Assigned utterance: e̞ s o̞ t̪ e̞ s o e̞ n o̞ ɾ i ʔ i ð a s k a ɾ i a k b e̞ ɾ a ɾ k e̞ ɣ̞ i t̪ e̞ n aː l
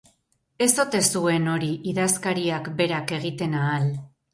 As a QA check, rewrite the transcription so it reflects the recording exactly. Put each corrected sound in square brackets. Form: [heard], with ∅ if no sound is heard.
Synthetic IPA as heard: e̞ s o̞ t̪ e̞ s [u] e̞ n o̞ ɾ i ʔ i ð a s k a ɾ i a k b e̞ ɾ a [∅] k e̞ ɣ̞ i t̪ e̞ n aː l